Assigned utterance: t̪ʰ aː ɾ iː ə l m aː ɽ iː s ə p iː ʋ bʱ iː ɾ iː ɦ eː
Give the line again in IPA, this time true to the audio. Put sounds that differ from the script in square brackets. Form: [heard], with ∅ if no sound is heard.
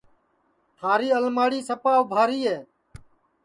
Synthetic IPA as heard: t̪ʰ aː ɾ iː ə l m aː ɽ iː s ə p [aː] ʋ bʱ [aː] ɾ iː ɦ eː